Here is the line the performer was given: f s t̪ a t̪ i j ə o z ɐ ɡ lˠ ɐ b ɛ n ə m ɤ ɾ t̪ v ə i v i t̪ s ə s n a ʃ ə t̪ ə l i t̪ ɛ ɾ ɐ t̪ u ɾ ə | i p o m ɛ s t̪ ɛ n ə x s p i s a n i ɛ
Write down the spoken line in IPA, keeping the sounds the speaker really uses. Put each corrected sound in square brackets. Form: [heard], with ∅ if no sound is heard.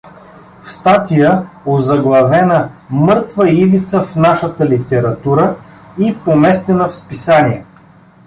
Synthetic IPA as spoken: f s t̪ a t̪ i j ə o z ɐ ɡ lˠ ɐ [v] ɛ n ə m ɤ ɾ t̪ v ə i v i t̪ s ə [f] n a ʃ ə t̪ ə l i t̪ ɛ ɾ ɐ t̪ u ɾ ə | i p o m ɛ s t̪ ɛ n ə [f] s p i s a n i ɛ